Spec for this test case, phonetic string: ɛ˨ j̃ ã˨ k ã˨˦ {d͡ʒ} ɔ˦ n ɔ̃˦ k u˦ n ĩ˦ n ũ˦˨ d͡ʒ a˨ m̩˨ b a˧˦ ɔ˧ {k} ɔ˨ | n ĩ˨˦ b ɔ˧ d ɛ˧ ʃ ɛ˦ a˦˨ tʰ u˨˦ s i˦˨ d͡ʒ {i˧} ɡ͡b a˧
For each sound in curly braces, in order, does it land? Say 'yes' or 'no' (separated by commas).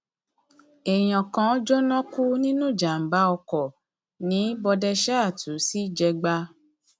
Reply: yes, yes, no